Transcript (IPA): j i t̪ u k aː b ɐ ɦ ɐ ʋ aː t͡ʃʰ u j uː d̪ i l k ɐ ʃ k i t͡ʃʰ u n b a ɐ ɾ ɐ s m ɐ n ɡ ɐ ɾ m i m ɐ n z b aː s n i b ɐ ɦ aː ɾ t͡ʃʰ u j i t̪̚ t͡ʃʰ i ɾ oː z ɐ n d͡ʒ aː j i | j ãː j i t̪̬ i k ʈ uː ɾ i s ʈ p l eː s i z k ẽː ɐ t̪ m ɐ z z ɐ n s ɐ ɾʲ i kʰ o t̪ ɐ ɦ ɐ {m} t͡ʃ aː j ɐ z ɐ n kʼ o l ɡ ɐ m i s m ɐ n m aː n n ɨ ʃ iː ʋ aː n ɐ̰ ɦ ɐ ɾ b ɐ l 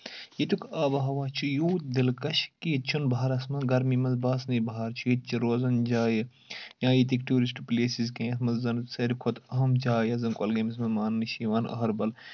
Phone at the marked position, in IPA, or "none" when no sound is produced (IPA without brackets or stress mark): m